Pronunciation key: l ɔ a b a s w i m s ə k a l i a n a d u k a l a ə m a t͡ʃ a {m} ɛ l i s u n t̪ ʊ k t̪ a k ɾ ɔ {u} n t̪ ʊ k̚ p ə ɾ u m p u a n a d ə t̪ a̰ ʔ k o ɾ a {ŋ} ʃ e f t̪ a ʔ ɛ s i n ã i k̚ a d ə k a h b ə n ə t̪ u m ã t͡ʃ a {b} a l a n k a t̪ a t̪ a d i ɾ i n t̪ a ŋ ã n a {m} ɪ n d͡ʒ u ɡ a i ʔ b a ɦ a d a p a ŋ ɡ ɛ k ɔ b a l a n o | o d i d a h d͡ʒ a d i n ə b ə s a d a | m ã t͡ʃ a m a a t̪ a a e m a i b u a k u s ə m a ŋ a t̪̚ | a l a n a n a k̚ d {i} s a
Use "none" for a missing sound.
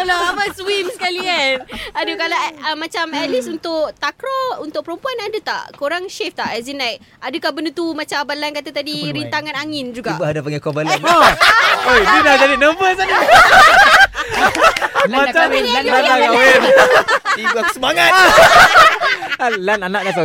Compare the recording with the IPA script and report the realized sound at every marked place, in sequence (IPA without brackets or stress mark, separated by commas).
m, u, ŋ, b, ŋ, a